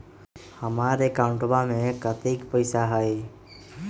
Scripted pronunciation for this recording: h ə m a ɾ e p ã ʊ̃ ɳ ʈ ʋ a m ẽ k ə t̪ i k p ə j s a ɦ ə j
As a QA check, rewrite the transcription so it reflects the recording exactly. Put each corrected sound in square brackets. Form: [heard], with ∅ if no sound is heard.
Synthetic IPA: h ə m a ɾ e [k] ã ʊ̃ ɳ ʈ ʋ a m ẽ k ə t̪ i k p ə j s a ɦ ə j